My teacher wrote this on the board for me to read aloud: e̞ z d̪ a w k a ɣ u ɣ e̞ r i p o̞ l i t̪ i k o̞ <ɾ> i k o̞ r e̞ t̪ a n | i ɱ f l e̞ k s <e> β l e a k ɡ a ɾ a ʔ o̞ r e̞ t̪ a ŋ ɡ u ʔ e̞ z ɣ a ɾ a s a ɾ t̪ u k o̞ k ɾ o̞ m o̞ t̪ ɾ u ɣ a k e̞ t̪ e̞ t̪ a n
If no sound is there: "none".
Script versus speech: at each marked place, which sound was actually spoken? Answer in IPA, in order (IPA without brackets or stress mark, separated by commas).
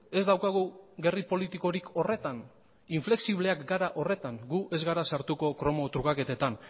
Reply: ɾ, i